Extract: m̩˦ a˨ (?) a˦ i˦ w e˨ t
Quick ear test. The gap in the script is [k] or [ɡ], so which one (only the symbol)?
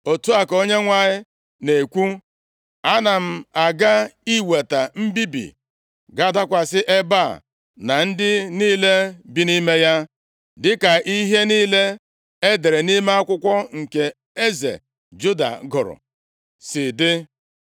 ɡ